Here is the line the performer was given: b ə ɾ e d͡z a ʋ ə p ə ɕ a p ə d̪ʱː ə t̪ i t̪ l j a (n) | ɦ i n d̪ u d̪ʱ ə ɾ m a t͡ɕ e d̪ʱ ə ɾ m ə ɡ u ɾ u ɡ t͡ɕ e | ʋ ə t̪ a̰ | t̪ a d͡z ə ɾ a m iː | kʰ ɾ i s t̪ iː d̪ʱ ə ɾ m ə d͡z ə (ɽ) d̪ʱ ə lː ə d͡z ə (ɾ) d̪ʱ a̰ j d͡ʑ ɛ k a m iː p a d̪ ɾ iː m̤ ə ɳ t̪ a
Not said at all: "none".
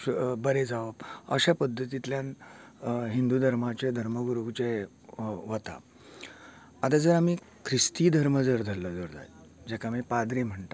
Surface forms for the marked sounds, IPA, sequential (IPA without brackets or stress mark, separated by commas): n, ɾ, ɾ